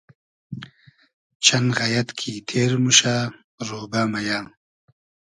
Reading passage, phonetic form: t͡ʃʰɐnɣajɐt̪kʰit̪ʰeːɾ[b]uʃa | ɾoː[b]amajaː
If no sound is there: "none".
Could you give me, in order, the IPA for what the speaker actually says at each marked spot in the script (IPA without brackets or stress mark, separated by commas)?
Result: m, b